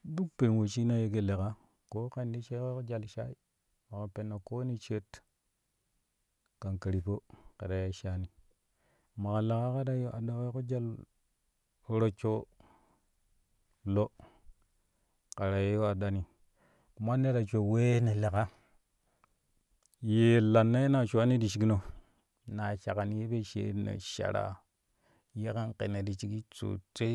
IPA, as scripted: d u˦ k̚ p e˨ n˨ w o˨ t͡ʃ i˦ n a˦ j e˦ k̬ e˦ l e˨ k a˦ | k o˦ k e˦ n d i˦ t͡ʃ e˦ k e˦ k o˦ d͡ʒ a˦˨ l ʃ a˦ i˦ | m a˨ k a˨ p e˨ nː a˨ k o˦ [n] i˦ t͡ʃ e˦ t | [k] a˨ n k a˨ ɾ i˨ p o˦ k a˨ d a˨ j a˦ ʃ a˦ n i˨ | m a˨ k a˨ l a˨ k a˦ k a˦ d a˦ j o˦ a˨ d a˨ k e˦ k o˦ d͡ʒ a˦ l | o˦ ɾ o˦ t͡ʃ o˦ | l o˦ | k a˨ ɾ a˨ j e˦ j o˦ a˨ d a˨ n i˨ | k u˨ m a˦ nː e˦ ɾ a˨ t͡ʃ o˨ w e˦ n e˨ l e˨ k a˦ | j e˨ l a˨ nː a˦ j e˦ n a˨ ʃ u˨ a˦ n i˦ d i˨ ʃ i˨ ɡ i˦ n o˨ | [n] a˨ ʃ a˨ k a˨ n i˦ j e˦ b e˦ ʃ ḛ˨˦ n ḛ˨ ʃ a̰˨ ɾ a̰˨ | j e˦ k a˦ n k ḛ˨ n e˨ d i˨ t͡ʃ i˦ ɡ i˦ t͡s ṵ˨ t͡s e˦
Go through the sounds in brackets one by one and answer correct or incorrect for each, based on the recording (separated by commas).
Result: correct, correct, correct